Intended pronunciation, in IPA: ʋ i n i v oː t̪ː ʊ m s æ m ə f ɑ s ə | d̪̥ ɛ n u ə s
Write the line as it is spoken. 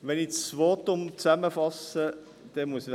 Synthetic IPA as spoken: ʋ ɛ n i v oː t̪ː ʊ m t͡s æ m ə f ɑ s ə | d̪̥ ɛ m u ə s